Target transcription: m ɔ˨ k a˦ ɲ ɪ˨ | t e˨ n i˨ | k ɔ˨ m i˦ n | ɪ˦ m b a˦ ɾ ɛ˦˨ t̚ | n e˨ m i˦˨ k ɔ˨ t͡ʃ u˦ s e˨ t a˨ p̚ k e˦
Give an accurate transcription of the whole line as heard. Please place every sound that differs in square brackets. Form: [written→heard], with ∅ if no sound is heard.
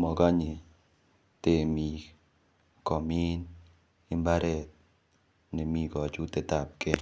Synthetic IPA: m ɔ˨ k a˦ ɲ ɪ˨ | t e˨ [n→m] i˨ | k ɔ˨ m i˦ n | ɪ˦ m b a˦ ɾ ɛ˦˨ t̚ | n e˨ m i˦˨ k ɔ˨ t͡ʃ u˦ [s→t] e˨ t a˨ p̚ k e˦